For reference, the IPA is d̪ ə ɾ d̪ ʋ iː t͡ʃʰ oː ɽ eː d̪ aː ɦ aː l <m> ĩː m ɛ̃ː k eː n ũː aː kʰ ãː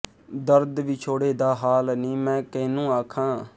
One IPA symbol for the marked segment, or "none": n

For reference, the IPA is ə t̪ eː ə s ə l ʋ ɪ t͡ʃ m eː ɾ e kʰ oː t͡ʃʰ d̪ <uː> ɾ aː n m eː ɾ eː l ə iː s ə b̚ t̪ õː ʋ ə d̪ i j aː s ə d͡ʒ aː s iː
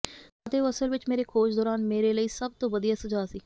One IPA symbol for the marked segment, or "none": ɔː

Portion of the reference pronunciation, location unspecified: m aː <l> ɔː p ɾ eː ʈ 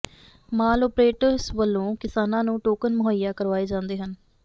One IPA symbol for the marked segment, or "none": l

